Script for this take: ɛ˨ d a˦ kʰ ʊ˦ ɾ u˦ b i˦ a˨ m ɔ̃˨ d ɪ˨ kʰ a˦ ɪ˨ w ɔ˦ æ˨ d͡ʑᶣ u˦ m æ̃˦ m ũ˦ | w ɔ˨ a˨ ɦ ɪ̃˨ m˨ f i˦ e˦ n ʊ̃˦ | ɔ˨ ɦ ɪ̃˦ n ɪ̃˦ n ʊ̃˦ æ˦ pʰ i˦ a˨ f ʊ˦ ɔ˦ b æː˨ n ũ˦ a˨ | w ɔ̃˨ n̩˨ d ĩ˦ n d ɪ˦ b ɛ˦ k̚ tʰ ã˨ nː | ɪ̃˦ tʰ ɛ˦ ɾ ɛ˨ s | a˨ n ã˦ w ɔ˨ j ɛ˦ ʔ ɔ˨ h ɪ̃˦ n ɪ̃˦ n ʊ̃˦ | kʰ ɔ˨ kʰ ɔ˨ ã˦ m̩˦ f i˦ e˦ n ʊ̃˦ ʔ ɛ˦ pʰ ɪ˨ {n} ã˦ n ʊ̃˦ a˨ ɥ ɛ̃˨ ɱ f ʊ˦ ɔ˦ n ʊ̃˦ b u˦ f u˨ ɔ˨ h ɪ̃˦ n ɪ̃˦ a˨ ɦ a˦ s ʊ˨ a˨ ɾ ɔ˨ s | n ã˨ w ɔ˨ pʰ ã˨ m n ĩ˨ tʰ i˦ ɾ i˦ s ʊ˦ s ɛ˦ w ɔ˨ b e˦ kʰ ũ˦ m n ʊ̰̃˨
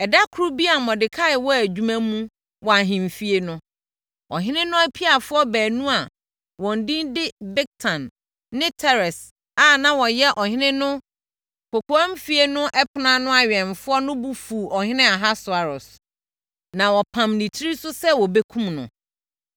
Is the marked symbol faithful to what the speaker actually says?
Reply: yes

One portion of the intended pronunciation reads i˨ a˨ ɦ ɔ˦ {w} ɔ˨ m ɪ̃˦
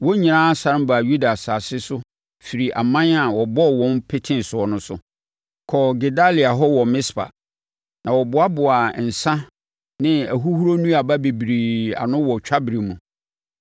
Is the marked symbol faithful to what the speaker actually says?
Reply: yes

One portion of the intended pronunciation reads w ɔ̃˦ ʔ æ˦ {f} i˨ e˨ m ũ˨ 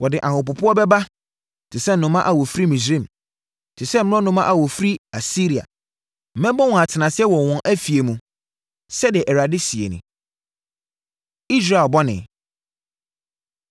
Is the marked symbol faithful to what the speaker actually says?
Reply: yes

